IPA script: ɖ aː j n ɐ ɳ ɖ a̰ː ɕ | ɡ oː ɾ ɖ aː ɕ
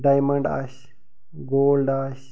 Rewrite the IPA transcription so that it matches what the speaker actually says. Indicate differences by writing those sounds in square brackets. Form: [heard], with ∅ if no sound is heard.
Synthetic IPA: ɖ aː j [m] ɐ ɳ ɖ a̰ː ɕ | ɡ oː [l] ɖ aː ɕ